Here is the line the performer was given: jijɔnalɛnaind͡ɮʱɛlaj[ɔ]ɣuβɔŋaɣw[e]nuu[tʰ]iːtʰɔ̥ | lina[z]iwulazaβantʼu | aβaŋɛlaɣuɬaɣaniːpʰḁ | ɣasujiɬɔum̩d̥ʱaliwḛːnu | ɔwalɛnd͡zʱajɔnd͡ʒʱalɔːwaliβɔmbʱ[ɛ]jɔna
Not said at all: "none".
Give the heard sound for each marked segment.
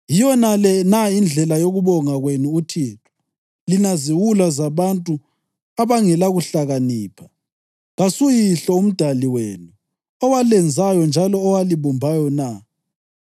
o, e, tʰ, z, a

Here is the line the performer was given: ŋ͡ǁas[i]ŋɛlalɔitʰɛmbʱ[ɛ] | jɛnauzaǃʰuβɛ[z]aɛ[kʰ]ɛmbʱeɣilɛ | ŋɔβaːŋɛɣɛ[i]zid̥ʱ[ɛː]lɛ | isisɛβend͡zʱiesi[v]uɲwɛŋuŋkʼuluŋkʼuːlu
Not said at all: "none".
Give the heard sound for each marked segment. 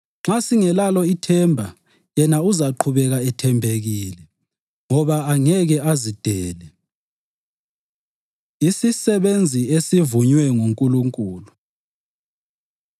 i, a, ɣ, tʰ, a, ɛː, v

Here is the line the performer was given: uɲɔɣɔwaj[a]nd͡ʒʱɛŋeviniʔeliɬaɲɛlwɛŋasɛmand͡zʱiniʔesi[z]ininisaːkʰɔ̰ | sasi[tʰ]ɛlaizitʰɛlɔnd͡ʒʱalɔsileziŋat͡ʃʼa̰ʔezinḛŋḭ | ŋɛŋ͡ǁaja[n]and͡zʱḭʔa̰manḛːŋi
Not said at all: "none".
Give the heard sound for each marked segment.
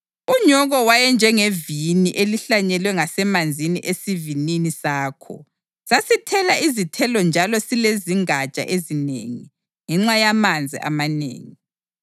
ɛ, v, tʰ, m

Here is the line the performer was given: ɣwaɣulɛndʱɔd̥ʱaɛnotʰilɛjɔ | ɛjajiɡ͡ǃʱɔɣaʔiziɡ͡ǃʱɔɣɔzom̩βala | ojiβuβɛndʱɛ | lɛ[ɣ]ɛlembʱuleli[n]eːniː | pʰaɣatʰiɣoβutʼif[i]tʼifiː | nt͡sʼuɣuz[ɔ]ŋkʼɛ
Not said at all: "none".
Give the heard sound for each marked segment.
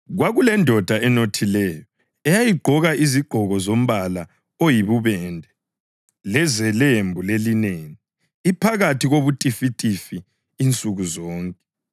z, n, i, ɔː

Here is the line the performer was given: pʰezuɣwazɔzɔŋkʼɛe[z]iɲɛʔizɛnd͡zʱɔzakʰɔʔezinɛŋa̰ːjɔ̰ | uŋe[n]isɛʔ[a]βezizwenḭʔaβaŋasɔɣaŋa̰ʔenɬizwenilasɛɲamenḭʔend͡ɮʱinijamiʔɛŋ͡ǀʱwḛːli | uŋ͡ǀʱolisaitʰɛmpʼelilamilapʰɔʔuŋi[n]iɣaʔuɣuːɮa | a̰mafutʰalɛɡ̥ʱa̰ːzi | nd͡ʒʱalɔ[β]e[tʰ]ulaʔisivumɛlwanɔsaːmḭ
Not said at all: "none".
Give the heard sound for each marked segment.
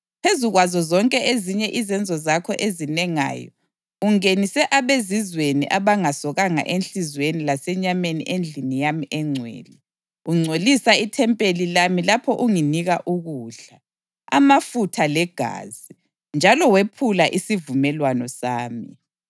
z, n, a, n, w, pʰ

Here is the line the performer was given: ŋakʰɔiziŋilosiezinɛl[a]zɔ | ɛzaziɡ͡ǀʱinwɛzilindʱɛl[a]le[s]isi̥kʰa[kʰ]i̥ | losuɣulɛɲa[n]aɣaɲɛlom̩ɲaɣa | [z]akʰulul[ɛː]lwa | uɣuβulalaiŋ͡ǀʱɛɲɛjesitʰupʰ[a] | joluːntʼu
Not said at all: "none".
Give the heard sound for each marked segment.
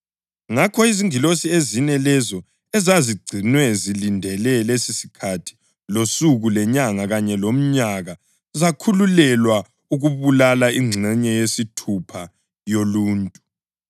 ɛ, ɛ, s, tʰ, ŋ, z, ɛ, a

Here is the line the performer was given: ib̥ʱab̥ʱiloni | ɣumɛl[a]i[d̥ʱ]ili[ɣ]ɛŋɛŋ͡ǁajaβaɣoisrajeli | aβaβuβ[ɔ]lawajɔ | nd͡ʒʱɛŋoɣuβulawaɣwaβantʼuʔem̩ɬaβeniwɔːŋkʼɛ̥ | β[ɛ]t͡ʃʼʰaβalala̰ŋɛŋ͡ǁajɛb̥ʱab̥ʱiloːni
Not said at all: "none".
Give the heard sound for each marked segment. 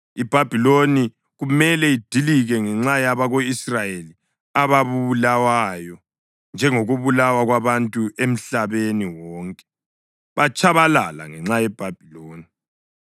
ɛ, d̥ʱ, ɣ, u, a

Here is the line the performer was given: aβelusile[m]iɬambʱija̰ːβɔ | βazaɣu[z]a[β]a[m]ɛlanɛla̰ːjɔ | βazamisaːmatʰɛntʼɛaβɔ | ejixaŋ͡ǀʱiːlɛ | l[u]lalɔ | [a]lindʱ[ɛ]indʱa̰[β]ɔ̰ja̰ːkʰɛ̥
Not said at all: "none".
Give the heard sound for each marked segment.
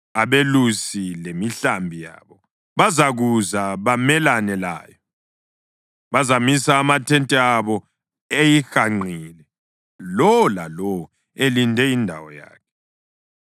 m, z, β, m, ɔ, e, ɛ, w

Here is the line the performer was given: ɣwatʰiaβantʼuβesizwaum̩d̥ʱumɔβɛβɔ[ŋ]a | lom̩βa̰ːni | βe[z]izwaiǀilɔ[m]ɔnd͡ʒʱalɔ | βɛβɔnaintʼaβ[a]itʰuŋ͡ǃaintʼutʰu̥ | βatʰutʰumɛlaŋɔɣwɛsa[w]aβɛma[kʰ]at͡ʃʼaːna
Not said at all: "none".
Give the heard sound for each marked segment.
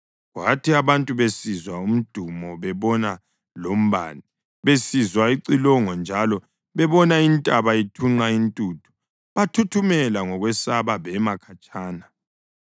n, s, ŋ, a, β, kʰ

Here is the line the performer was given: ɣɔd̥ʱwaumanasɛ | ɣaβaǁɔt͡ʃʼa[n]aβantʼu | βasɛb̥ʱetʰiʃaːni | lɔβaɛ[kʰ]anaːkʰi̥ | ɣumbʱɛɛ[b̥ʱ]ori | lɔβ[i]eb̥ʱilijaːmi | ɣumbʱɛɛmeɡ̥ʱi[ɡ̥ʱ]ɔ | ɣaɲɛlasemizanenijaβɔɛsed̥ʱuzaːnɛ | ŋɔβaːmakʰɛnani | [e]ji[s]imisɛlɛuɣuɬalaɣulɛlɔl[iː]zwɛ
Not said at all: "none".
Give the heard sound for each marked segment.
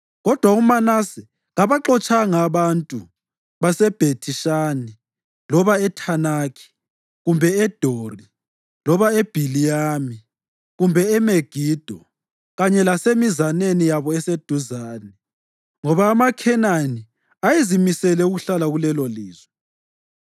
ŋ, tʰ, d̥ʱ, a, d̥ʱ, a, z, iː

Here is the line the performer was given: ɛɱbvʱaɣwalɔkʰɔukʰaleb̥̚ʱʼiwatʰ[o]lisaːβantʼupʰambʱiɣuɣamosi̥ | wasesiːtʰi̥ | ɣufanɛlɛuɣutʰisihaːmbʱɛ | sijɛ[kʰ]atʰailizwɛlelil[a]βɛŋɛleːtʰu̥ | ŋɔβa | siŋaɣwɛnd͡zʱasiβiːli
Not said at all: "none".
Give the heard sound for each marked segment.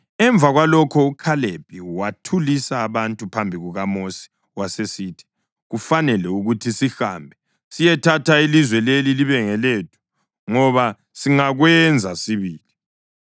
u, tʰ, i

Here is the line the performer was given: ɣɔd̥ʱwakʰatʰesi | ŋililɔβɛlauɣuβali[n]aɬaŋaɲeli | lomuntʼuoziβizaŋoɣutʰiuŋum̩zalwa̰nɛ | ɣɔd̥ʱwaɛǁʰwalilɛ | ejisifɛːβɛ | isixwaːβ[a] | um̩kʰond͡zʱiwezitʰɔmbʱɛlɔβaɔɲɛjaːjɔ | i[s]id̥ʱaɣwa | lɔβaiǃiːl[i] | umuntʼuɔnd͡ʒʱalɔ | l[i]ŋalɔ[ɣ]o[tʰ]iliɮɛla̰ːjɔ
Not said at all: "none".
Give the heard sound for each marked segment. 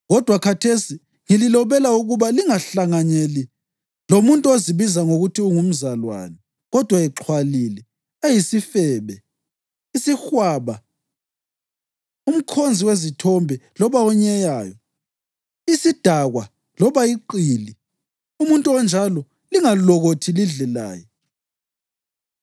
ŋ, a, s, i, i, ɣ, tʰ

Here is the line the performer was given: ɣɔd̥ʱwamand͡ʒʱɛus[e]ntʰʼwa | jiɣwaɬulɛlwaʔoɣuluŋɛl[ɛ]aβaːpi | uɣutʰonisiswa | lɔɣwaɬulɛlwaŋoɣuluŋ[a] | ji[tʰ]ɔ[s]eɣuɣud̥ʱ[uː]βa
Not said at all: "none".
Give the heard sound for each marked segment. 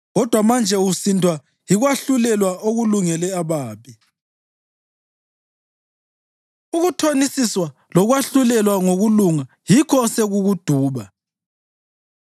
i, ɛ, a, kʰ, s, uː

